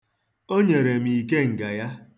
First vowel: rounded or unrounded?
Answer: rounded